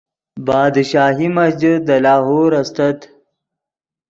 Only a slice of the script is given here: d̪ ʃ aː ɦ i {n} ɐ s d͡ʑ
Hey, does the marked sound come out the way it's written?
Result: no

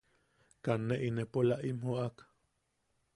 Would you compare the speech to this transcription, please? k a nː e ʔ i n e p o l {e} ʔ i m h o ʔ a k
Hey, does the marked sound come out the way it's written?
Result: no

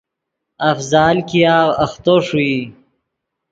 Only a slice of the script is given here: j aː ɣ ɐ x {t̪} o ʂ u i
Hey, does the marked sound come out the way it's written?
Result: yes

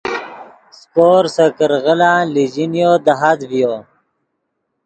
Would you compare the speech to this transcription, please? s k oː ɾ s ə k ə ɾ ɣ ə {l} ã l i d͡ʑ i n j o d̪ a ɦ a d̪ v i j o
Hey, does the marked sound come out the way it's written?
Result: yes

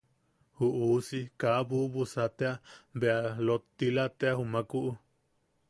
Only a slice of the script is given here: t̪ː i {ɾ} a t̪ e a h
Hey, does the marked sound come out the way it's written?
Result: no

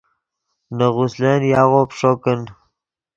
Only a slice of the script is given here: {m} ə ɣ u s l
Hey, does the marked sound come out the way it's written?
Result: no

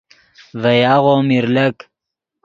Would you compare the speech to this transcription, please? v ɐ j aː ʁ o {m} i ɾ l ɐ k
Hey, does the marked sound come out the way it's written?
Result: yes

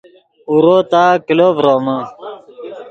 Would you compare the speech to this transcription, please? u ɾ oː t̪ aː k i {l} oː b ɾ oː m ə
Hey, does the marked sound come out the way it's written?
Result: yes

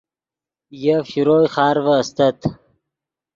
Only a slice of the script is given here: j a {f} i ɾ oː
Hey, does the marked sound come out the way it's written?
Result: yes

